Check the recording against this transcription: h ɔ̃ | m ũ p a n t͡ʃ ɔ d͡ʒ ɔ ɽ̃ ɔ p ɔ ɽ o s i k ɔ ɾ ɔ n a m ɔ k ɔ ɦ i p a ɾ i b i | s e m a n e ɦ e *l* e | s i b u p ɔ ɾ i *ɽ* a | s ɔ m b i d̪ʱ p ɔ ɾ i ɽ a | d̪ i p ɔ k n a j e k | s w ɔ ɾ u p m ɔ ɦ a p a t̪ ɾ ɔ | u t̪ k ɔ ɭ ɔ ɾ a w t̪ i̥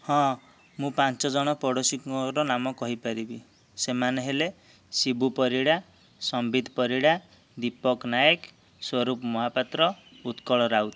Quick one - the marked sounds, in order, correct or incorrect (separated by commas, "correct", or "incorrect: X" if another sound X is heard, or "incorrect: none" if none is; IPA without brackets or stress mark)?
correct, correct